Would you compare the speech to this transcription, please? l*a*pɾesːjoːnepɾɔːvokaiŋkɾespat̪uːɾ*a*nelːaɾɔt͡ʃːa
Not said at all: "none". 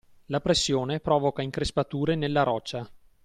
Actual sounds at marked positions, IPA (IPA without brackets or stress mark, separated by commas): a, e